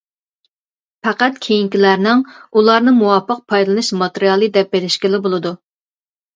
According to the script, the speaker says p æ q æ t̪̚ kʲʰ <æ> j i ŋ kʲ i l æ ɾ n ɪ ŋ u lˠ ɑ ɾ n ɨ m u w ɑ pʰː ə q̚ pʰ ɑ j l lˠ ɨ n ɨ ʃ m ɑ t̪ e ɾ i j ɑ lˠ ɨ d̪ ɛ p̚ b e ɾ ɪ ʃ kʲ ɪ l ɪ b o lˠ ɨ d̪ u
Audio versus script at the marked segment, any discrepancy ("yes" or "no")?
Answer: yes